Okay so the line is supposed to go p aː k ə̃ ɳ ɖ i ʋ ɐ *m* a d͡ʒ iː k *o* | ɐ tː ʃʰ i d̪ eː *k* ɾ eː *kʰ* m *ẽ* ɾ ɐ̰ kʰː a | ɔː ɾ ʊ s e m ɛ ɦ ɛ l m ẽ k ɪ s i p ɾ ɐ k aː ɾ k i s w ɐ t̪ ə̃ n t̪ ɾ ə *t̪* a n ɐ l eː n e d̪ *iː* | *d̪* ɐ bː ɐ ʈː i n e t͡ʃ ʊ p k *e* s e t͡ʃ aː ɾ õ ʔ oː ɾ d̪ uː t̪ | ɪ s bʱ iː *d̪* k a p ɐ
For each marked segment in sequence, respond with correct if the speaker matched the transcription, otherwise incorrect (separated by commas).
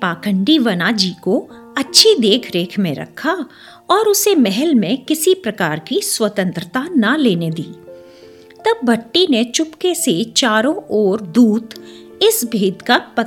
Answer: incorrect, correct, incorrect, correct, correct, correct, correct, incorrect, correct, correct